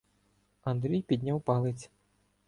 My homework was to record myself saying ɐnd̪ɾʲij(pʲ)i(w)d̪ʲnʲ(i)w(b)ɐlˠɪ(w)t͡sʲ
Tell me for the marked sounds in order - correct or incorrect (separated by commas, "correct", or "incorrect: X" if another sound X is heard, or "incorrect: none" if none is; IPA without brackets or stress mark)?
correct, incorrect: none, incorrect: a, incorrect: p, incorrect: none